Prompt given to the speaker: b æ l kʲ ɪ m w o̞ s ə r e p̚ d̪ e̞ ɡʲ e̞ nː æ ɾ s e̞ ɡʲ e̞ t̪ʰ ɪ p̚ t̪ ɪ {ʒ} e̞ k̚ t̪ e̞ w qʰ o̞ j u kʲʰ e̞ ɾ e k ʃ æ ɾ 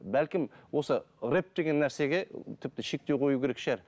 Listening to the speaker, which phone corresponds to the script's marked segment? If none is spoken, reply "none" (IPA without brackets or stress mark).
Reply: ʃ